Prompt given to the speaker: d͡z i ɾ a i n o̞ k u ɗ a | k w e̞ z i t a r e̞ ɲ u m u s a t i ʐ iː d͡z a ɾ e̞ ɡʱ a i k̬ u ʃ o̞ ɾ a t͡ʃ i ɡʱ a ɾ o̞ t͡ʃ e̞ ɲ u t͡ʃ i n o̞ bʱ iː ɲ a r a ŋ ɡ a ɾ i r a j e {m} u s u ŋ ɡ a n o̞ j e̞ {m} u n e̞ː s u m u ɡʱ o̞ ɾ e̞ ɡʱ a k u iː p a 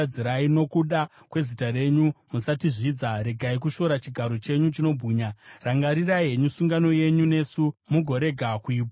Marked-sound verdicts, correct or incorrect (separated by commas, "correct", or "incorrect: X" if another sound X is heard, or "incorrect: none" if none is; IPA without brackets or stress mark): incorrect: ɲ, incorrect: ɲ